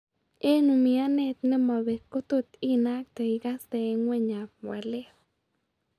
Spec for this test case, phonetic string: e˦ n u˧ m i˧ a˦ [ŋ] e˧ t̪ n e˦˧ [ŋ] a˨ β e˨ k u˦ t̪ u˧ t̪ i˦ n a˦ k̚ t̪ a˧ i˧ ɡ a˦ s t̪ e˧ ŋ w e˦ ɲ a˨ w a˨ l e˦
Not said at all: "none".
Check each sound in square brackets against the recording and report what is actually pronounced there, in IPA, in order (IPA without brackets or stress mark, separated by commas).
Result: n, m